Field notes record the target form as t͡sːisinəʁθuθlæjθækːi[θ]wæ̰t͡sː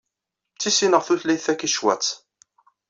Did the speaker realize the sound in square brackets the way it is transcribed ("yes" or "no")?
no